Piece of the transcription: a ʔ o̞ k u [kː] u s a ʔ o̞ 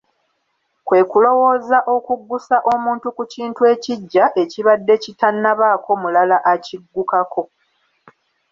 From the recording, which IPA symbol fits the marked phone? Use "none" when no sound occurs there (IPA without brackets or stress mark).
ɡː